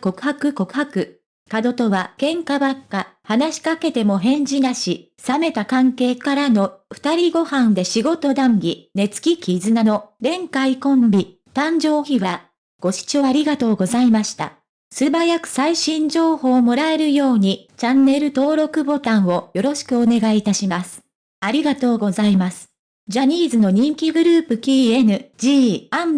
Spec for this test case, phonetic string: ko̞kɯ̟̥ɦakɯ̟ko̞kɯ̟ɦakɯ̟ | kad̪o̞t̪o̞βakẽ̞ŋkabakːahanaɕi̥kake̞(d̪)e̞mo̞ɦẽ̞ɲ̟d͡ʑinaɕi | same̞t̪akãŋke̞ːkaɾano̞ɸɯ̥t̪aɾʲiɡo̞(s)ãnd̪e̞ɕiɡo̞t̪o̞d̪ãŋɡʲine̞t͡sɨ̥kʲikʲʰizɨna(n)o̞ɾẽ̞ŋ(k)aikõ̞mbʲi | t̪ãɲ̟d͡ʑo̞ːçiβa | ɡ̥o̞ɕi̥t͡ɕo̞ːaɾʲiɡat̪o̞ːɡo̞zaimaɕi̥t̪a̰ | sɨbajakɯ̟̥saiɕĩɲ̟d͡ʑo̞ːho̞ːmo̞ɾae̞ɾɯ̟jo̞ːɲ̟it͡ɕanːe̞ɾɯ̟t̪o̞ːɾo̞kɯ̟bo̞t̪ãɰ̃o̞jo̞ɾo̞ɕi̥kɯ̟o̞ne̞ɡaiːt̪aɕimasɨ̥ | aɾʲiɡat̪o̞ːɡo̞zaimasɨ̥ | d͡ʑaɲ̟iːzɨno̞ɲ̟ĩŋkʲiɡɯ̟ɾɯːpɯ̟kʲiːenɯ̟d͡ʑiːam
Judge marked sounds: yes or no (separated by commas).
no, no, yes, yes